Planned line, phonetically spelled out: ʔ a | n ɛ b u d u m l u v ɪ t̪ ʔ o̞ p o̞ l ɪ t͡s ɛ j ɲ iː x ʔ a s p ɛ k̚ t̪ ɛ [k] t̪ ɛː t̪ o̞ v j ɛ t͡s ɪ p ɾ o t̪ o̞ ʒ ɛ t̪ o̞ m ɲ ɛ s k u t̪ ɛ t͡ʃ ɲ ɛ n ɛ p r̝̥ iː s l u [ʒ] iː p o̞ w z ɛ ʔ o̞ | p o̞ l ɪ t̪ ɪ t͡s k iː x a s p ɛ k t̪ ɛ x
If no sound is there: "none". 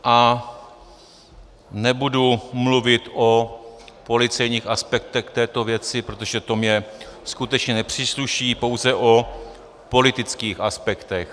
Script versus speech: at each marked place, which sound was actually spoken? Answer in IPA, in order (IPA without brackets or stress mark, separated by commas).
x, ʃ